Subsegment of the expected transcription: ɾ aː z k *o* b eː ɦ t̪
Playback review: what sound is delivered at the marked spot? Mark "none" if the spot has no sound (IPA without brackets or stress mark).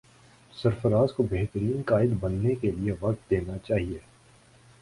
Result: o